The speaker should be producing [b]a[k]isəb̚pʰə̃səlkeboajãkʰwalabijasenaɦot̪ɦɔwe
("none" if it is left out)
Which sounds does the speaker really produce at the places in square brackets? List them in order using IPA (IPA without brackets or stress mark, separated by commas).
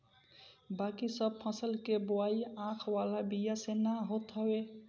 b, k